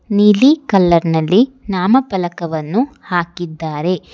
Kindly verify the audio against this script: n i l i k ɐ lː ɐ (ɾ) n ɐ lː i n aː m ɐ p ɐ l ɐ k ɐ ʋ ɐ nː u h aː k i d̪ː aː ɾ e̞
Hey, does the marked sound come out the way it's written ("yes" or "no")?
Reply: yes